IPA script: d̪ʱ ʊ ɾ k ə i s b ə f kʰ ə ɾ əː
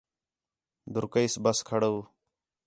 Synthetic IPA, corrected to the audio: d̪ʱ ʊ ɾ k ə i s b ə s kʰ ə ɽ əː